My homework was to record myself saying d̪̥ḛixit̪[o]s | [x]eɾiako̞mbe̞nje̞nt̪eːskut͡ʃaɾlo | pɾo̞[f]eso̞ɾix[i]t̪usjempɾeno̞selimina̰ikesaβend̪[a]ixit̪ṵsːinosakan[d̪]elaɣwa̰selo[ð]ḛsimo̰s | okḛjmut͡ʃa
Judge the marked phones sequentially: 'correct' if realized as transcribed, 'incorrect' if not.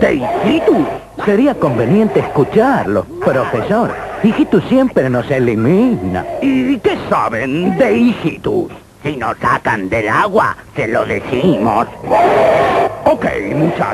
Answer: incorrect: u, incorrect: s, correct, correct, incorrect: e, correct, correct

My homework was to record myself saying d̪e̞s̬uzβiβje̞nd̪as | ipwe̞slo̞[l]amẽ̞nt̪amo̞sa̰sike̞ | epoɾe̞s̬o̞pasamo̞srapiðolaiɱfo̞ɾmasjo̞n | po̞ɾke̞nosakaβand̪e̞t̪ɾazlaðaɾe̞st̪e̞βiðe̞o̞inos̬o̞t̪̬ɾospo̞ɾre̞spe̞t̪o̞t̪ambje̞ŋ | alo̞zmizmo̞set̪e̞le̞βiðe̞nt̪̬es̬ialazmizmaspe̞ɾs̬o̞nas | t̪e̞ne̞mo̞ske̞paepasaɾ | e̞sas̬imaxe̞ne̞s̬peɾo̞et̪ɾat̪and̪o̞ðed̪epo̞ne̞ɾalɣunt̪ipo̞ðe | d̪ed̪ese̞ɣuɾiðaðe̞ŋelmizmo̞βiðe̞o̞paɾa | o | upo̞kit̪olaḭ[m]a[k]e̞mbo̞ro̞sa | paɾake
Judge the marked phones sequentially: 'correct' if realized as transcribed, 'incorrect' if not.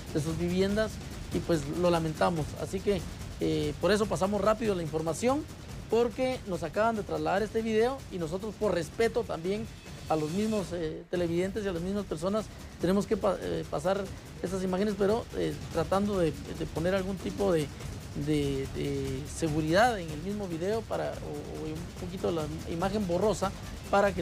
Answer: correct, correct, incorrect: x

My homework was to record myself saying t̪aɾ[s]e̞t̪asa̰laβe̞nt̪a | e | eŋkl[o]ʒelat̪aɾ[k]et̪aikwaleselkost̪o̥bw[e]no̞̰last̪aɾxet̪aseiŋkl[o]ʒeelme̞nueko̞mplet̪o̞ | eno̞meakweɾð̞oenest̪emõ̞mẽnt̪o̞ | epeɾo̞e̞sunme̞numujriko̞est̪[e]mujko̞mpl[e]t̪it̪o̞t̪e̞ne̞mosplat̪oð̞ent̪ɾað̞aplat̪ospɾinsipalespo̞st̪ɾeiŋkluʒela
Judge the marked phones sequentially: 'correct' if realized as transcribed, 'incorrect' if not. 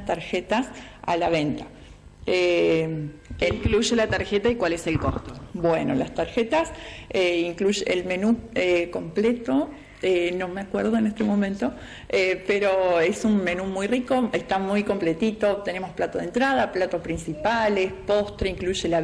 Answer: incorrect: x, incorrect: u, incorrect: x, correct, incorrect: u, incorrect: a, correct

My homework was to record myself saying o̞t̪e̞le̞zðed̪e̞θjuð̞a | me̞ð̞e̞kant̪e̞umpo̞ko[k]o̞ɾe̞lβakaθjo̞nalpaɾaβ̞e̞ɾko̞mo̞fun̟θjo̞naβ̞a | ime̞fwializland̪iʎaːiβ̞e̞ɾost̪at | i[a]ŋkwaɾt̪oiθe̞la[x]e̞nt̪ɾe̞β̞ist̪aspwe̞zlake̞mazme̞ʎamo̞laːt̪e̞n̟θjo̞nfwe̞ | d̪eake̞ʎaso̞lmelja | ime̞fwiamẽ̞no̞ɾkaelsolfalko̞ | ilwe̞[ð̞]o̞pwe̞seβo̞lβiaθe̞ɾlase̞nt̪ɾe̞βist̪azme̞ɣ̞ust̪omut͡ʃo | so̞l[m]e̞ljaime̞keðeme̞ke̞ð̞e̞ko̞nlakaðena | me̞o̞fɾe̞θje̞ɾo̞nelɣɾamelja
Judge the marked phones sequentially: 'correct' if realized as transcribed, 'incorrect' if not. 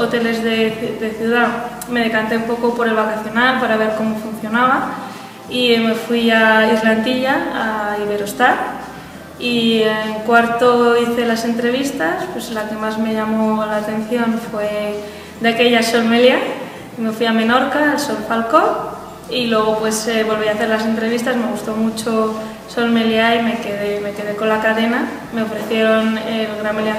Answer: incorrect: p, incorrect: e, incorrect: s, incorrect: ɣ̞, correct

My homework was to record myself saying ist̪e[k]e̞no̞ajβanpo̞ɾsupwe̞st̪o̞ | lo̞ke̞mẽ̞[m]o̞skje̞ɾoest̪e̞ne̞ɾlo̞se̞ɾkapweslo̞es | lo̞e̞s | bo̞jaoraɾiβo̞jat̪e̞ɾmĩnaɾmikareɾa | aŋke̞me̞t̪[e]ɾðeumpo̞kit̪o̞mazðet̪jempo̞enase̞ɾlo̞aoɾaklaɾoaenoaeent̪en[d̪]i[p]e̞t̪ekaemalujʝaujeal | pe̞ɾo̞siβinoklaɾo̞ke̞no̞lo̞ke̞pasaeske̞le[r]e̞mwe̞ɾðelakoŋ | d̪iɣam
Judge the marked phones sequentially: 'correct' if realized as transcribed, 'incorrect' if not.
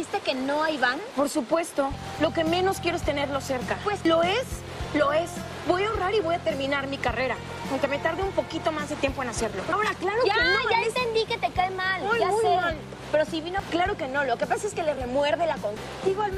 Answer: correct, incorrect: n, incorrect: a, correct, incorrect: k, correct

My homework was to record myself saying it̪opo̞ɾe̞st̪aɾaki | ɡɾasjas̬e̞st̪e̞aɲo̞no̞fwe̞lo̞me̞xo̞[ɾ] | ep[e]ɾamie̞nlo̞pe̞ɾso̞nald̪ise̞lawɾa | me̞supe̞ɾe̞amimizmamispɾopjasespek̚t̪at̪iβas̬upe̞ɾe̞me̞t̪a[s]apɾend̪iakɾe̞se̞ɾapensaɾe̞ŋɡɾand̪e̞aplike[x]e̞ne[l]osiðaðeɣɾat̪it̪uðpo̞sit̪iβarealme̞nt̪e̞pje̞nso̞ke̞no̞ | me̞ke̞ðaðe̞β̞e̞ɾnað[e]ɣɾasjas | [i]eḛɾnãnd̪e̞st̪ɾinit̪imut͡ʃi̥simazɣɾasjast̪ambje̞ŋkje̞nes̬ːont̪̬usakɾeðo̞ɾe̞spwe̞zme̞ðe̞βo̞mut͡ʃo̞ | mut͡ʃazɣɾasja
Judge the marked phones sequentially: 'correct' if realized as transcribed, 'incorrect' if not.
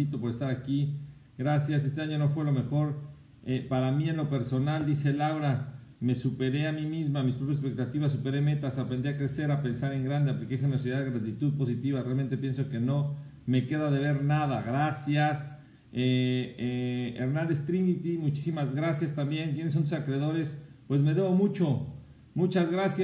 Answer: correct, incorrect: a, correct, correct, incorrect: ɾ, incorrect: a, incorrect: e

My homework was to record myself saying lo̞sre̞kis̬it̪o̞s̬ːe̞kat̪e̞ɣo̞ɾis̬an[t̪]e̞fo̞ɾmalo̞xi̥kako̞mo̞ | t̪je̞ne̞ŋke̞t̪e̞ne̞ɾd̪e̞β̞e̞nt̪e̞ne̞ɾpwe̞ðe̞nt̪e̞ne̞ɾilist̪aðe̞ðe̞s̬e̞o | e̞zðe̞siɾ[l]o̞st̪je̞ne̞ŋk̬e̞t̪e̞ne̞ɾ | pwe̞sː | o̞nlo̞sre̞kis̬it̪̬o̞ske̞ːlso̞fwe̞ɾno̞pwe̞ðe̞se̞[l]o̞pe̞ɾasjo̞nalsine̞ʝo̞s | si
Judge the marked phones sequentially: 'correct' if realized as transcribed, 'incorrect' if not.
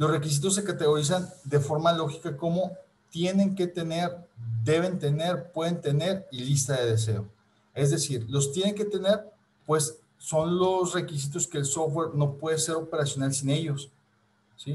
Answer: incorrect: d̪, correct, incorrect: ɾ

